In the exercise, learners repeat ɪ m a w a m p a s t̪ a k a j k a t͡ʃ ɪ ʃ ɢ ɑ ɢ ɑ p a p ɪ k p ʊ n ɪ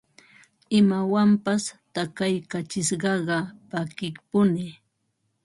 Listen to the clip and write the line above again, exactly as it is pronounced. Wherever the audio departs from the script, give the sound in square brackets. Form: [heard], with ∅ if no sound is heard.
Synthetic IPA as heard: ɪ m a w a m p a s t̪ a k a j k a t͡ʃ ɪ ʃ ɢ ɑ ɢ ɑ p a [k] ɪ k p ʊ n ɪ